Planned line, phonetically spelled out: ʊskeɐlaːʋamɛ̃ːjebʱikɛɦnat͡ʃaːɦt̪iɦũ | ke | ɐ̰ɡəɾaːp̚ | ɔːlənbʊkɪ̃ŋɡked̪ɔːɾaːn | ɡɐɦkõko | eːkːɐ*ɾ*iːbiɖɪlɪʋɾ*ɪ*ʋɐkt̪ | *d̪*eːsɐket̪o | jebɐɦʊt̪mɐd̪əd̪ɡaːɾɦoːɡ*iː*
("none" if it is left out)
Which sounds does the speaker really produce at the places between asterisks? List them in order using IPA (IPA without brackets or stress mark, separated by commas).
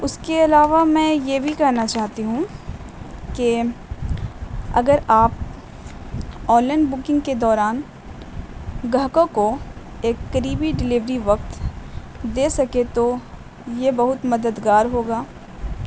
ɾ, i, d̪, aː